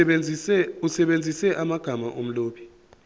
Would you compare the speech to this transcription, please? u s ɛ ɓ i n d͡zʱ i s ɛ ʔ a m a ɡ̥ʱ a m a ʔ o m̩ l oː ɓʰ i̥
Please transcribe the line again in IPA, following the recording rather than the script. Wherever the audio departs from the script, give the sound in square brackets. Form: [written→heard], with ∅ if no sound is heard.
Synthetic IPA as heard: u s ɛ ɓ [i→e] n d͡zʱ i s ɛ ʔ a m a ɡ̥ʱ a m a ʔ o m̩ l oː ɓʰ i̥

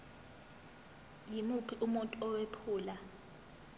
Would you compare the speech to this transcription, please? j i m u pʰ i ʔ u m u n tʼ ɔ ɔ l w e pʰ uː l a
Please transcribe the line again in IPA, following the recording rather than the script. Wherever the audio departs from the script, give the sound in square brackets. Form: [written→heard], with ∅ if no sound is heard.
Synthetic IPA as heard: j i m u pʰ i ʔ u m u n tʼ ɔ ɔ [l→∅] w e pʰ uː l a

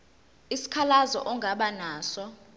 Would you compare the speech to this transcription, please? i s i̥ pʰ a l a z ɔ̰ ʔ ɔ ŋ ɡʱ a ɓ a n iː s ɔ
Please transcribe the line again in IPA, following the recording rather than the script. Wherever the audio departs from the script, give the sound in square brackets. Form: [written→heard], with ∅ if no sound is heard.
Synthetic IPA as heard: i s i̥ [pʰ→kʰ] a l a z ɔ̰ ʔ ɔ ŋ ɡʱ a ɓ a n [iː→aː] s ɔ

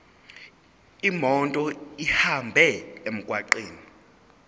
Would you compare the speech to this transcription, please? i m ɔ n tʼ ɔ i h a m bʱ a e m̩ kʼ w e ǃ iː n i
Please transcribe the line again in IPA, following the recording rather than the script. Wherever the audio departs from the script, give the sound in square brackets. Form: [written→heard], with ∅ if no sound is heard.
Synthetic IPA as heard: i m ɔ n tʼ ɔ i h a m bʱ [a→ɛ] e m̩ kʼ w [e→a] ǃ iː n i

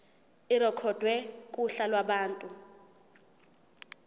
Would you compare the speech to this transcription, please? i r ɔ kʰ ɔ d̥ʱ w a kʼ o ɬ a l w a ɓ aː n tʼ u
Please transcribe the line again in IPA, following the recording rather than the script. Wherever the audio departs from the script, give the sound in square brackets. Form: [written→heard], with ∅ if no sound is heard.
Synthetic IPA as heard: i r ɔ kʰ ɔ d̥ʱ w [a→ɛ] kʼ [o→u] ɬ a l w a ɓ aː n tʼ u

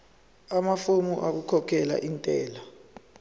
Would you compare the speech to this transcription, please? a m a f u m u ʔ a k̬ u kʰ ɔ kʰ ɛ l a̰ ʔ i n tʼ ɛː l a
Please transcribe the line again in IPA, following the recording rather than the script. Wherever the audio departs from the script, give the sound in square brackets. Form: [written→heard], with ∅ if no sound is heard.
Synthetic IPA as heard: a m a f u m u ʔ a k̬ u kʰ ɔ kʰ ɛ l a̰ ʔ i n tʼ ɛː l a

